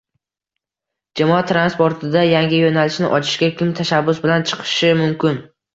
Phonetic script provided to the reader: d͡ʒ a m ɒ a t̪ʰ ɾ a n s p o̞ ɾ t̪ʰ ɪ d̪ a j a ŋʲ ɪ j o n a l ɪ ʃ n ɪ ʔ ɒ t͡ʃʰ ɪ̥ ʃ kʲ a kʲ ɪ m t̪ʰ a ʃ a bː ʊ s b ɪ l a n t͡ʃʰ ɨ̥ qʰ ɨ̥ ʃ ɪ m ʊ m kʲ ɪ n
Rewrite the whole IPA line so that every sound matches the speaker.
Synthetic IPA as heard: d͡ʒ a m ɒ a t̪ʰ ɾ a n s p o̞ ɾ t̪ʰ ɪ d̪ a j a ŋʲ ɪ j o n a l ɪ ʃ n ɪ ʔ ɒ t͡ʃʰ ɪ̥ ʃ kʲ a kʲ ɪ m t̪ʰ a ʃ a bː ʊ s b ɪ l a n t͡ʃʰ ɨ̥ qʰ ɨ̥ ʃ ɪ m ʊ m kʲ ɪ n